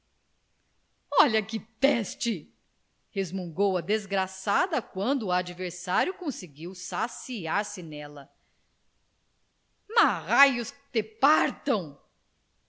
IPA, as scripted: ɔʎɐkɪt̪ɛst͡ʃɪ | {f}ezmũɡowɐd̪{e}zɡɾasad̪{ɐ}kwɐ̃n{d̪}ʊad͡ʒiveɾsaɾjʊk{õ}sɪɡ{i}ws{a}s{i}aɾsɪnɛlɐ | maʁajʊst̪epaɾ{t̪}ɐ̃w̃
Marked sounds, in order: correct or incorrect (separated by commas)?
incorrect, correct, correct, correct, correct, correct, correct, correct, correct